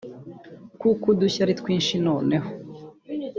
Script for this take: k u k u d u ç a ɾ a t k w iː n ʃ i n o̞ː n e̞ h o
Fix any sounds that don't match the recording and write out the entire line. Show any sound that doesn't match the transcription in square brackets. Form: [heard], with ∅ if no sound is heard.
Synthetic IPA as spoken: k u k u d u ç a ɾ [i] t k w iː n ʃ i n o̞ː n e̞ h o